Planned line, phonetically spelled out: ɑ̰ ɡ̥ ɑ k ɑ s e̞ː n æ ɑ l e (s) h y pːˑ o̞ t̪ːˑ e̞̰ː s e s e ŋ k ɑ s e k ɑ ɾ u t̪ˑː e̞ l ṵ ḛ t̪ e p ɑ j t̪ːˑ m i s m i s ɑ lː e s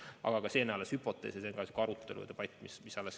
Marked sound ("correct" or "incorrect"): correct